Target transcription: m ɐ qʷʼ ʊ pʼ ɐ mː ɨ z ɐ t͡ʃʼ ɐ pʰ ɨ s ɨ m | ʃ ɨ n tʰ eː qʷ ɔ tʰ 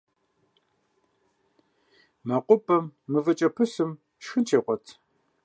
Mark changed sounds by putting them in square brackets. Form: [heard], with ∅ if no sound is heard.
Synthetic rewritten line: m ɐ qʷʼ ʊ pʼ ɐ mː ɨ [v] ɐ t͡ʃʼ ɐ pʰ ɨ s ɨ m | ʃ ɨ n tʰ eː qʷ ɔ tʰ

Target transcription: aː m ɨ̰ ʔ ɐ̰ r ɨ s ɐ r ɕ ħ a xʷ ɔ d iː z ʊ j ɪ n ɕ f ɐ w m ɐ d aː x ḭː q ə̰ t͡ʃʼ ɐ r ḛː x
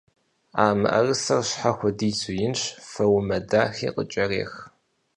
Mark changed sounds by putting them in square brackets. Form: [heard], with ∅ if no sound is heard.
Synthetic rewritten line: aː m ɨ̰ ʔ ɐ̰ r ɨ s ɐ r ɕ ħ a xʷ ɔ d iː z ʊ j ɪ n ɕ f ɐ w m ɐ d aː x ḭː q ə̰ t͡ʃʼ ɐ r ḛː x

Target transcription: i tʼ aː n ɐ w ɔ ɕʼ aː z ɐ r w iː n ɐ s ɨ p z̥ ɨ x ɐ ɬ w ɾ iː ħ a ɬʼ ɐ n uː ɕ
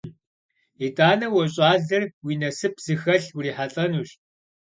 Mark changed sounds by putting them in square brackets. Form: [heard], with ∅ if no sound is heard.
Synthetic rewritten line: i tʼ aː n ɐ w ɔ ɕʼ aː z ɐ r w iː n ɐ s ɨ p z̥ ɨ x ɐ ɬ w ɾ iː ħ a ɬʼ ɐ n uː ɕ

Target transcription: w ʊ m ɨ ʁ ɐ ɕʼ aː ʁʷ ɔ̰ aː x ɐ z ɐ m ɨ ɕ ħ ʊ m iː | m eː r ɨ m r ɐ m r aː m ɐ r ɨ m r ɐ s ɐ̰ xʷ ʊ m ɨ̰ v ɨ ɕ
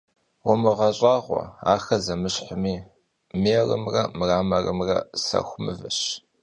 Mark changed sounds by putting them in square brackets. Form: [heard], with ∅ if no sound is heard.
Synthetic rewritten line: w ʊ m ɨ ʁ ɐ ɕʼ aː ʁʷ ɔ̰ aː x ɐ z ɐ m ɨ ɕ ħ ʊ m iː | m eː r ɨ m r ɐ m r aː m ɐ r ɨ m r ɐ s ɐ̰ xʷ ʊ m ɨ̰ v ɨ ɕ

